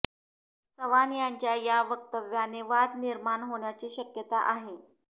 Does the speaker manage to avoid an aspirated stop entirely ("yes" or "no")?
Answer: yes